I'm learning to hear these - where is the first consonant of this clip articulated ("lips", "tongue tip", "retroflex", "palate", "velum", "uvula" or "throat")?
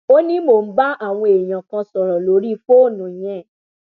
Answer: tongue tip